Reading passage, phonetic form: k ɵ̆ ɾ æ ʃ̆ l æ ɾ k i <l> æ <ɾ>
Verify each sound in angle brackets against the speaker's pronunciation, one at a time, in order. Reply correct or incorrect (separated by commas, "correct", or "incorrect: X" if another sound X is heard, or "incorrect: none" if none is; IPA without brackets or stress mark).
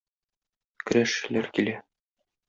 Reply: correct, incorrect: none